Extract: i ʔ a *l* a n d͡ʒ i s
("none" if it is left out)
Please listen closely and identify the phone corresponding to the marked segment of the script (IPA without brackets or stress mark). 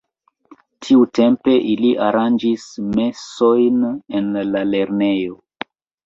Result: ɾ